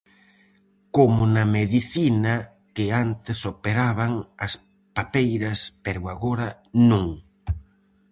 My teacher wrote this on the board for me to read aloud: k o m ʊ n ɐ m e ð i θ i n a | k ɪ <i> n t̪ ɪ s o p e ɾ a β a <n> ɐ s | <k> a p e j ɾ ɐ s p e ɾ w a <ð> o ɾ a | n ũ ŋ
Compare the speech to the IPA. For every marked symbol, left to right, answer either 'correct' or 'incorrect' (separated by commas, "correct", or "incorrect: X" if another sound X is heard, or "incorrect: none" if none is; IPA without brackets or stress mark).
incorrect: a, incorrect: ŋ, incorrect: p, incorrect: ɣ